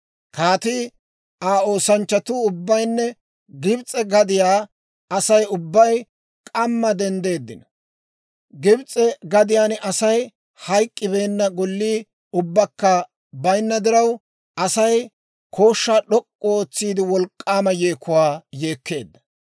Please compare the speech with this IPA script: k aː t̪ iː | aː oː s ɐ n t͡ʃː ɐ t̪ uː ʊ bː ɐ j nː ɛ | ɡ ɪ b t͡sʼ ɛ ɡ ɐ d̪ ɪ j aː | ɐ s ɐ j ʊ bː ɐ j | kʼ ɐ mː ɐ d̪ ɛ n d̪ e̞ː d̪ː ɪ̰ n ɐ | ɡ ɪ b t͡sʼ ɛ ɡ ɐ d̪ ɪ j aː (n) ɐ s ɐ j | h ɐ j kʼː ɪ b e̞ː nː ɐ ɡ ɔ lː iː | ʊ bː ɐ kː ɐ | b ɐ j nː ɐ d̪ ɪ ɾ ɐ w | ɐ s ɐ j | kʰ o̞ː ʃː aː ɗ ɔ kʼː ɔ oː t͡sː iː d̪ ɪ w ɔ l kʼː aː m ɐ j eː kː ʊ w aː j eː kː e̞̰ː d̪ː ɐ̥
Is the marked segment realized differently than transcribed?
no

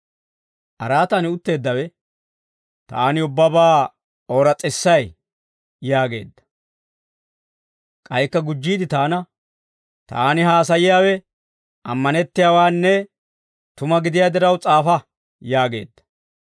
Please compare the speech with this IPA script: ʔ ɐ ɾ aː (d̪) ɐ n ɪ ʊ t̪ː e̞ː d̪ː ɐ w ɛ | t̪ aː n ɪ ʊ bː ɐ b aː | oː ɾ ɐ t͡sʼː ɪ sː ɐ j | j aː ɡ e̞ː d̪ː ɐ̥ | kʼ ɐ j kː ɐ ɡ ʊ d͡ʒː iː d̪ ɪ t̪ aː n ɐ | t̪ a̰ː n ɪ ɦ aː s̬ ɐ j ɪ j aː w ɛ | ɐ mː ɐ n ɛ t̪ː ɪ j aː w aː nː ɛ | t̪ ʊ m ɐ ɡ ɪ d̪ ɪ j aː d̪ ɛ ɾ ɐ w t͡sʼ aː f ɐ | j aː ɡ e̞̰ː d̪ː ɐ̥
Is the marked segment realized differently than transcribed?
yes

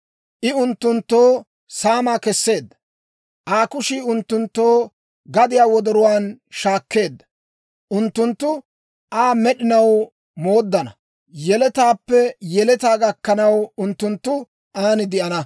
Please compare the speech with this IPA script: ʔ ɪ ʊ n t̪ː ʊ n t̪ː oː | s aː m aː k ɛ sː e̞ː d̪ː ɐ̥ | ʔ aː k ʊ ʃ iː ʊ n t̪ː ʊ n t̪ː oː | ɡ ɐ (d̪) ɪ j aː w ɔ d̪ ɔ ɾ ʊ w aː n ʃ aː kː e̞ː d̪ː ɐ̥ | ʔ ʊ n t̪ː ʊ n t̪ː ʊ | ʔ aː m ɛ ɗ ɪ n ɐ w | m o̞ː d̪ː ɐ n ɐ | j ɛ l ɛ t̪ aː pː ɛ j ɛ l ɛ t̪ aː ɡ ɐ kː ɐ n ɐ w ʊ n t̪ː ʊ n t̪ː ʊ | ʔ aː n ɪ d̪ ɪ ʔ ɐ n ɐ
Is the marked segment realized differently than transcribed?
no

